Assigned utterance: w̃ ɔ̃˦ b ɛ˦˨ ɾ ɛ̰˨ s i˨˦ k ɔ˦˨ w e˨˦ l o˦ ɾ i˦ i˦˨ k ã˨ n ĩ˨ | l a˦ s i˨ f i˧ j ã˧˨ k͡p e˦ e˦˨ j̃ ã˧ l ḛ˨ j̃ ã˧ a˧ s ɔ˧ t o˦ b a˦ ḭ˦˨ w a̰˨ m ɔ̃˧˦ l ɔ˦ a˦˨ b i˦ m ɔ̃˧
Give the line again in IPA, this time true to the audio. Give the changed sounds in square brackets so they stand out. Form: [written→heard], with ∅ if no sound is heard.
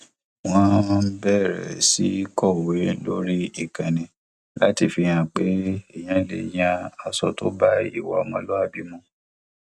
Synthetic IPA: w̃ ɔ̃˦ b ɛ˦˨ ɾ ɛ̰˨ s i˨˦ k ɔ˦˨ w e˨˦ l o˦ ɾ i˦ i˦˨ k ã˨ n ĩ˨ | l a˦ [s→t] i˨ f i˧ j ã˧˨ k͡p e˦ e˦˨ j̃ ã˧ l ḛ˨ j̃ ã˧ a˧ s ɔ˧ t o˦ b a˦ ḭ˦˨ w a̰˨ m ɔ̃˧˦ l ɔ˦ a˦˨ b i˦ m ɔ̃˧

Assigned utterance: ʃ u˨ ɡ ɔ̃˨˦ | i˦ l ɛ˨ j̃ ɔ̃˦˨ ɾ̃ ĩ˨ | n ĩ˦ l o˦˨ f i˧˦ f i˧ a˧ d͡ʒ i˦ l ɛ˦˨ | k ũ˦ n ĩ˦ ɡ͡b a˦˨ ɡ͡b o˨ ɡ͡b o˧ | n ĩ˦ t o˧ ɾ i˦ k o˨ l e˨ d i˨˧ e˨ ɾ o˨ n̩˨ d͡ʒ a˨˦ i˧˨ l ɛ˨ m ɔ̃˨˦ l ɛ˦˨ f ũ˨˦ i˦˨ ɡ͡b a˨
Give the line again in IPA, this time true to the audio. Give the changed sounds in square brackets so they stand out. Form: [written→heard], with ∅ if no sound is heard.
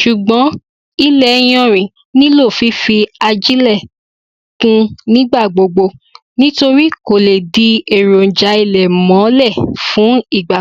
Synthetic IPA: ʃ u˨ [ɡ→ɡ͡b] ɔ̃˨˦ | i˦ l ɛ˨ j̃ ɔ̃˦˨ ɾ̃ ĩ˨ | n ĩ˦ l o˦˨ f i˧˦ f i˧ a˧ d͡ʒ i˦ l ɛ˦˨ | k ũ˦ n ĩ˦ ɡ͡b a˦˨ ɡ͡b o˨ ɡ͡b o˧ | n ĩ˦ t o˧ ɾ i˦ k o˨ l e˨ d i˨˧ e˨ ɾ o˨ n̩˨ d͡ʒ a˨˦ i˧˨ l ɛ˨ m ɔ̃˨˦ l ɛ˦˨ f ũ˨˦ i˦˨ ɡ͡b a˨

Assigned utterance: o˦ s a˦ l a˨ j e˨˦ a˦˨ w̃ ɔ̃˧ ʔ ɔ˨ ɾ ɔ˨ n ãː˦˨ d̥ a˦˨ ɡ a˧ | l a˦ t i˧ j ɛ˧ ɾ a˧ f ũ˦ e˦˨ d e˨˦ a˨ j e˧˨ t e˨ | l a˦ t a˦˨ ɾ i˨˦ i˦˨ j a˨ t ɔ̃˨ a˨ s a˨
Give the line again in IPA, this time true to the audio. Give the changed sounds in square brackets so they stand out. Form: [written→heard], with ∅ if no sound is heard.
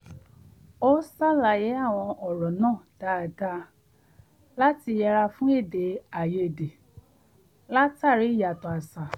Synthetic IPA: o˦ s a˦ l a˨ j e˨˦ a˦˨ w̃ ɔ̃˧ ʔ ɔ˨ ɾ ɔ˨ n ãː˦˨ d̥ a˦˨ ɡ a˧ | l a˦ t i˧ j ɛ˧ ɾ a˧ f ũ˦ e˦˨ d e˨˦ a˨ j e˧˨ [t→d] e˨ | l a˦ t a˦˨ ɾ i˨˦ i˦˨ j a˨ t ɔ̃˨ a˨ s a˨

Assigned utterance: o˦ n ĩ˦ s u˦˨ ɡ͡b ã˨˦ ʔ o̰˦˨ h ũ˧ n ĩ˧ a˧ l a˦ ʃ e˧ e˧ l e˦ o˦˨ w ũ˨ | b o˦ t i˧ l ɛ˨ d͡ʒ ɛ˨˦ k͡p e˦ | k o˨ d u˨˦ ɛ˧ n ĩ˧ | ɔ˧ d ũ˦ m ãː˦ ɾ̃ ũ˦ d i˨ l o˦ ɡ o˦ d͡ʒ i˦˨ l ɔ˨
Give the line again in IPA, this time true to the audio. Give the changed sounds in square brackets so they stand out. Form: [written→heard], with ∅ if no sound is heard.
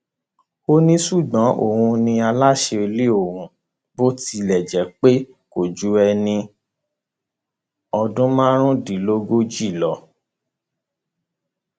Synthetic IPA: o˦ n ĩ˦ s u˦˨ ɡ͡b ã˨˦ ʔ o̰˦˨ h ũ˧ n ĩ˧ a˧ l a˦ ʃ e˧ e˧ l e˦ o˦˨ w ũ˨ | b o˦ t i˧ l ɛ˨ d͡ʒ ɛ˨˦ k͡p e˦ | k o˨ [d→d͡ʒ] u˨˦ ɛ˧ n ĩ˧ | ɔ˧ d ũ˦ m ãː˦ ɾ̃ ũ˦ d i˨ l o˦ ɡ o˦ d͡ʒ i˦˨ l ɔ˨

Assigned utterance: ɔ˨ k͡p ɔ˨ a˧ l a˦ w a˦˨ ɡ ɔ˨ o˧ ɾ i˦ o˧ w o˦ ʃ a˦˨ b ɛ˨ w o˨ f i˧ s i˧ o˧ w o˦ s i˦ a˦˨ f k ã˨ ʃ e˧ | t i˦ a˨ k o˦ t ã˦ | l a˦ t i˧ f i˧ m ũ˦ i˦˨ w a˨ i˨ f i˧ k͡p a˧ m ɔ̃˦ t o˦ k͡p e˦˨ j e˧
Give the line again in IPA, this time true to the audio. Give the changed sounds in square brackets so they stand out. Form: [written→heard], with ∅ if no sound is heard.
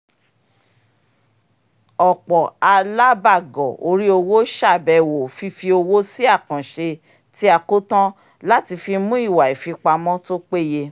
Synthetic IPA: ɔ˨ k͡p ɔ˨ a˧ l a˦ [w→b] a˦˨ ɡ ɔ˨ o˧ ɾ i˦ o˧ w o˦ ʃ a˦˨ b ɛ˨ w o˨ f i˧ [s→f] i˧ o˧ w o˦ s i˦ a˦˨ [f→∅] k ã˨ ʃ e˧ | t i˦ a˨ k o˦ t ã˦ | l a˦ t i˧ f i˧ m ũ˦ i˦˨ w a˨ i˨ f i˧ k͡p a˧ m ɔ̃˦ t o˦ k͡p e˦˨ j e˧

